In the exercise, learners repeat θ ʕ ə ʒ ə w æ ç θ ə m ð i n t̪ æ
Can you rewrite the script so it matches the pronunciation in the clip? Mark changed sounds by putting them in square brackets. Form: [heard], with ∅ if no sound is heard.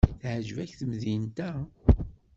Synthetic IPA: θ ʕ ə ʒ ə [v] æ ç θ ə m ð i n t̪ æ